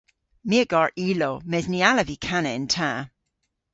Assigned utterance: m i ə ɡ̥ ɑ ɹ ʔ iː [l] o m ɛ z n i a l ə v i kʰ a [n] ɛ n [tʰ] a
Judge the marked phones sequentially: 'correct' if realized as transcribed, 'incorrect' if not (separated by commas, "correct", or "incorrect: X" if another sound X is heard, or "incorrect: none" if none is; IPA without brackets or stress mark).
correct, correct, correct